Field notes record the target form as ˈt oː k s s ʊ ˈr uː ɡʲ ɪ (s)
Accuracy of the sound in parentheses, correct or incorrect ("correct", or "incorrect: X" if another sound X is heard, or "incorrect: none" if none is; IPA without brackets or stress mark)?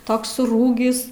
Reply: correct